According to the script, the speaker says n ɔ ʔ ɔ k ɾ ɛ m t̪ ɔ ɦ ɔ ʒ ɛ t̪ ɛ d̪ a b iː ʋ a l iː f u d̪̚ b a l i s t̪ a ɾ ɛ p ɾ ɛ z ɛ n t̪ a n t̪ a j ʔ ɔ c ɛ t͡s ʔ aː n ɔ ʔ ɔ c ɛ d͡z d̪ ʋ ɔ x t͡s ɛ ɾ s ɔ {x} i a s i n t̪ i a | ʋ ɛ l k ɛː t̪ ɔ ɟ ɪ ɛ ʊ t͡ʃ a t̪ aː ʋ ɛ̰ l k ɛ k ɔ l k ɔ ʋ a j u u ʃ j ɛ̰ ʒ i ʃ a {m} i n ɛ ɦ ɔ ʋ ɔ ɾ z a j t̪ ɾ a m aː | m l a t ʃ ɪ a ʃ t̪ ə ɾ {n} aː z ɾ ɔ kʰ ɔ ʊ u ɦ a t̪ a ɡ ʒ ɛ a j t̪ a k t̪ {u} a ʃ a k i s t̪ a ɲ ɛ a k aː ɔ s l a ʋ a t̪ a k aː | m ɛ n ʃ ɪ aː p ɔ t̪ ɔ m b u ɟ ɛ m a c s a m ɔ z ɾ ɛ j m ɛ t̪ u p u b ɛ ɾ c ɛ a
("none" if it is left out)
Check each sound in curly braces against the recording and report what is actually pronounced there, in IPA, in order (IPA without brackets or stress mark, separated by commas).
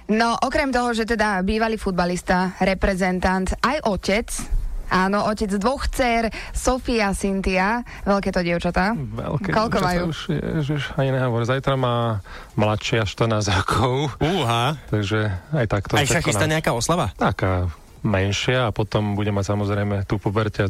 f, ɲ, n, ɔ